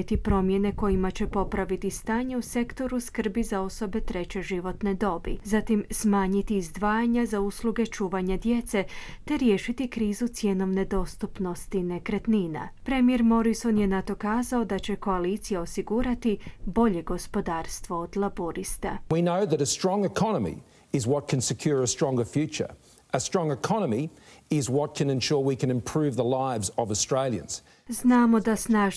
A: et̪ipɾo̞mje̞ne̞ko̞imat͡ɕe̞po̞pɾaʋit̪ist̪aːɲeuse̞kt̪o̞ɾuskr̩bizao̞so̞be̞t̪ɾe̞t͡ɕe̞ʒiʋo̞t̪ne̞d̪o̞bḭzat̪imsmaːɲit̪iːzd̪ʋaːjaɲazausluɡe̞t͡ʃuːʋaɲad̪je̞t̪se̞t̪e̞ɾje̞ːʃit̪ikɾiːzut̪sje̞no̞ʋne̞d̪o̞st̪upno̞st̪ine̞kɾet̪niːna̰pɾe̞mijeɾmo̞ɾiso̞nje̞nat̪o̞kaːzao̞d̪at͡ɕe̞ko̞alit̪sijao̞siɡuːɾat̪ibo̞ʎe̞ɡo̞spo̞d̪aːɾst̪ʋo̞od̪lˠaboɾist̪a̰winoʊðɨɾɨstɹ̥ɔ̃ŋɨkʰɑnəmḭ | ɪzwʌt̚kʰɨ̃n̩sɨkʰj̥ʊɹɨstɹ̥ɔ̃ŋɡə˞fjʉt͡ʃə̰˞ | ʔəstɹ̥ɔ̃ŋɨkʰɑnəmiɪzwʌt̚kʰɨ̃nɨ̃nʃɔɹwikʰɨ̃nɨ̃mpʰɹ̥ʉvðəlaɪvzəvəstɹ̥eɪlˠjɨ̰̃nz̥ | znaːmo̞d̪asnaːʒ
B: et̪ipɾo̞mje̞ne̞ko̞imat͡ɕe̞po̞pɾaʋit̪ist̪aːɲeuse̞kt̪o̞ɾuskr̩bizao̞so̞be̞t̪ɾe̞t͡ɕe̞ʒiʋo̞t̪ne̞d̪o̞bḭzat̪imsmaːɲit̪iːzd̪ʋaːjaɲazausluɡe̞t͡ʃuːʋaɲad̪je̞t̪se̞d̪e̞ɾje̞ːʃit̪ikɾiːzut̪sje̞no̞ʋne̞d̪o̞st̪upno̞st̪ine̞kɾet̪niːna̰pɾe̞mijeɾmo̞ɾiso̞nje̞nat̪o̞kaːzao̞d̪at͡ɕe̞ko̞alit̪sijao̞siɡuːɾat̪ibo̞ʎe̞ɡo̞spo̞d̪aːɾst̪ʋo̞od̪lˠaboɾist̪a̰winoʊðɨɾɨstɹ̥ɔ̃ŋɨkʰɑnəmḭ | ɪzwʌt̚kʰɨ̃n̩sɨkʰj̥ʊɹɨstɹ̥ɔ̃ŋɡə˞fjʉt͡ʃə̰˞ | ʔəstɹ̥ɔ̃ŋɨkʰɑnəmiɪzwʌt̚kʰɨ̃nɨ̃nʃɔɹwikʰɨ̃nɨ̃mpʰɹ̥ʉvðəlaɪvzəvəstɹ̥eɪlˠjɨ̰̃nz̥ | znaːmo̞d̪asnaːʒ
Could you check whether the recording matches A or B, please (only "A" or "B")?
A